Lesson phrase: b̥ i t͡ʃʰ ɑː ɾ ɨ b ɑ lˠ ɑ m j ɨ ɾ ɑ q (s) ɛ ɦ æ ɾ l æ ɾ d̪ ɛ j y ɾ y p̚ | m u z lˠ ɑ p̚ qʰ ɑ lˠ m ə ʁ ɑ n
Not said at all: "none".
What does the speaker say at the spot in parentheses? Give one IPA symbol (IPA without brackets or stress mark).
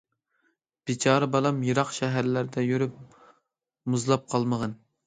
ʃ